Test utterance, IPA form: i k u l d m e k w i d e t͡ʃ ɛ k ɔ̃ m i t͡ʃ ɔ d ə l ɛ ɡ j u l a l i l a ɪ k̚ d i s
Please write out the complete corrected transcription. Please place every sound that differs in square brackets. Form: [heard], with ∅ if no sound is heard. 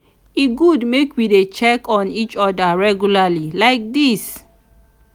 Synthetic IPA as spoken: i [ɡ] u [∅] d m e k w i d e t͡ʃ ɛ k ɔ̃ [n] i t͡ʃ ɔ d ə [ɹ] ɛ ɡ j u l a l i l a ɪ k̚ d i s